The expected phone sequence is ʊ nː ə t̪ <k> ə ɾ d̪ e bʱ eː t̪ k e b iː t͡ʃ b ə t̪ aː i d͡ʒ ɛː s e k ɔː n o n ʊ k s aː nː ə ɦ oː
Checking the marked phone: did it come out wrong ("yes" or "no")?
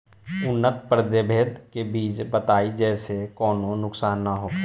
yes